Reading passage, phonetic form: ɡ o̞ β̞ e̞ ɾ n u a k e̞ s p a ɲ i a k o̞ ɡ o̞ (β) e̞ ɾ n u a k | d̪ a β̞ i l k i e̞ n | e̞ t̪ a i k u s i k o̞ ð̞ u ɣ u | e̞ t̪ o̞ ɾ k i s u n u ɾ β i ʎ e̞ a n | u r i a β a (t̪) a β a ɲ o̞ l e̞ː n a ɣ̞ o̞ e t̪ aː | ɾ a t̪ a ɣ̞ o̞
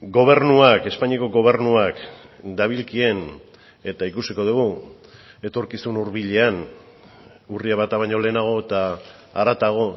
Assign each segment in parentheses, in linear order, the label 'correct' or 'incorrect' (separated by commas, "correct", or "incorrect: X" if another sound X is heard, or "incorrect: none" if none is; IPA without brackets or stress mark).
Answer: correct, correct